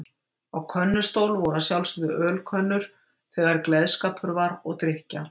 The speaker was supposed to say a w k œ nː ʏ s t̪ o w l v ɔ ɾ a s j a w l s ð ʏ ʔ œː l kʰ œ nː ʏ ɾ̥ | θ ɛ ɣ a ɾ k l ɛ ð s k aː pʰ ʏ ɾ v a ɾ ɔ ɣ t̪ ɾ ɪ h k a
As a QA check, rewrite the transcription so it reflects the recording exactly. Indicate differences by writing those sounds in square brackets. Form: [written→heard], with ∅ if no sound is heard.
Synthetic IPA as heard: a w [k→kʰ] œ nː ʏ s t̪ o w l v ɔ ɾ a s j a w l s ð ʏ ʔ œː l kʰ œ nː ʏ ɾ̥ | θ ɛ ɣ a ɾ k l ɛ ð s k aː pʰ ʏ ɾ v a ɾ ɔ ɣ t̪ ɾ ɪ h [k→c] a